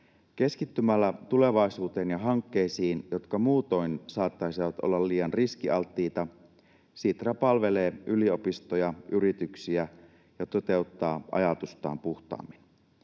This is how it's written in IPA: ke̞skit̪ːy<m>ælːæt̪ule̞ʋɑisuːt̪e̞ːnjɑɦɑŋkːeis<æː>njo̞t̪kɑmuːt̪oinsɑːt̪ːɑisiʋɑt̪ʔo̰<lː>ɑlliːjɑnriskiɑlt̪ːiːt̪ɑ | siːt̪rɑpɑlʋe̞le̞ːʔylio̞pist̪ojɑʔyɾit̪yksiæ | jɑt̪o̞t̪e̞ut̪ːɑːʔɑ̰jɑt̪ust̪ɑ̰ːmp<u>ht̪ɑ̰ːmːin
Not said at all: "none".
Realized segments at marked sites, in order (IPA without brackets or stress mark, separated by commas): m, iː, lː, u